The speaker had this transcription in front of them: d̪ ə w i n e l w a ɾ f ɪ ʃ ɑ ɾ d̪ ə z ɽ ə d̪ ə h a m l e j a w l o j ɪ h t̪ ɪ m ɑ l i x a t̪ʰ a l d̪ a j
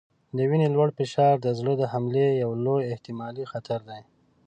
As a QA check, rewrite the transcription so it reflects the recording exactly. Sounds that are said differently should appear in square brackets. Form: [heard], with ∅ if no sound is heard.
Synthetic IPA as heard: d̪ ə w i n e l w a [ɽ] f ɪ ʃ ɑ ɾ d̪ ə z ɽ ə d̪ ə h a m l e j a w l o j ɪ h t̪ ɪ m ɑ l i x a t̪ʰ a [ɾ] d̪ a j